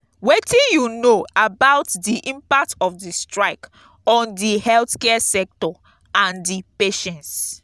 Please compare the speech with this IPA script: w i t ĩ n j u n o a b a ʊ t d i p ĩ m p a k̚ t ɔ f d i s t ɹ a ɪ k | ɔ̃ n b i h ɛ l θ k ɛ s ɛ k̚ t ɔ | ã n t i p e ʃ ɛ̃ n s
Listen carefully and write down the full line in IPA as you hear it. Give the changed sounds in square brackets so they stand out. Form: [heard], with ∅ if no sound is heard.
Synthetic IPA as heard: w [e] t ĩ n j u n o a b a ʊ t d i [ʔ] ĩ m p a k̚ t ɔ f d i s t ɹ a ɪ k | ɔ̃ n [d] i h ɛ l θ k ɛ s ɛ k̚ t ɔ | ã n [d] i p e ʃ ɛ̃ n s